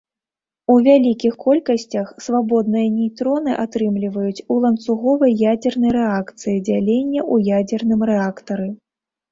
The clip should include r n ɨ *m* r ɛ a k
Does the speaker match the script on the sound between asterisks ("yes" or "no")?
yes